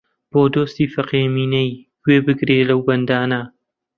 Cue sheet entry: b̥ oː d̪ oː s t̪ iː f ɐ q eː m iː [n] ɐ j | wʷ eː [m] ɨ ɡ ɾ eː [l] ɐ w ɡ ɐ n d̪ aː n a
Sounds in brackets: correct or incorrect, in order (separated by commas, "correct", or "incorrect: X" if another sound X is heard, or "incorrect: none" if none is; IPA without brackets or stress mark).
correct, incorrect: b, correct